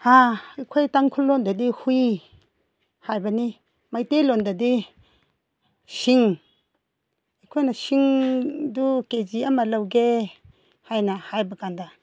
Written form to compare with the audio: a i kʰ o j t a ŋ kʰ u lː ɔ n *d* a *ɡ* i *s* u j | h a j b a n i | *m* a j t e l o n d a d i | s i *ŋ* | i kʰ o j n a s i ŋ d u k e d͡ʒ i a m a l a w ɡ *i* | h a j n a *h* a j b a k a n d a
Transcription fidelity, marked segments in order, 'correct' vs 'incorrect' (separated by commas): correct, incorrect, incorrect, correct, correct, incorrect, correct